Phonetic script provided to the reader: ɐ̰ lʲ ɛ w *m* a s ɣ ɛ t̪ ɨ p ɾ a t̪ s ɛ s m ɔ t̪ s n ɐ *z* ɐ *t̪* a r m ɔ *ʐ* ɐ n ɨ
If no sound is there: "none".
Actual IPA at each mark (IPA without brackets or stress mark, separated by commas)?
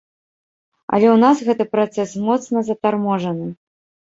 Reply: n, z, t̪, ʐ